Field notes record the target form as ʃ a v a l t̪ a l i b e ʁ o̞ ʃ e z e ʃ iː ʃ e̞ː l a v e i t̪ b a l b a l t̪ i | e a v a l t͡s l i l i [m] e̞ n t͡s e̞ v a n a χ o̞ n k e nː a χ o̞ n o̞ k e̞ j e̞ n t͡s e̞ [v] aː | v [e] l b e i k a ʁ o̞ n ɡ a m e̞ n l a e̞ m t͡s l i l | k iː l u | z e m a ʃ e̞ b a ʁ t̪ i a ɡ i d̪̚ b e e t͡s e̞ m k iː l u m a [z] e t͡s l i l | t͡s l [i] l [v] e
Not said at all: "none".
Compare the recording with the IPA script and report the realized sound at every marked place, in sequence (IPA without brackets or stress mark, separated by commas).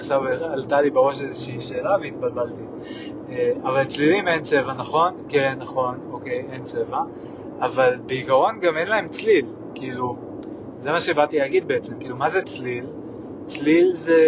m, v, a, z, i, z